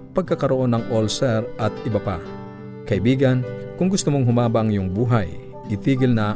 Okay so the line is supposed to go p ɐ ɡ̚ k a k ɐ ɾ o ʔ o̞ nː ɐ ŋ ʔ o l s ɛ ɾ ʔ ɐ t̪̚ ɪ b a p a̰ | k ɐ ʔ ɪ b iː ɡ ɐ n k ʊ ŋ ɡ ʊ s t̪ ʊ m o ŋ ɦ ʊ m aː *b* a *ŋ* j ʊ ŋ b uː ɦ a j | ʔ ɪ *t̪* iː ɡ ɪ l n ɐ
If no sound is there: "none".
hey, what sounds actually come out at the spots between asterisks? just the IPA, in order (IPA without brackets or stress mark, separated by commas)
b, ŋ, t̪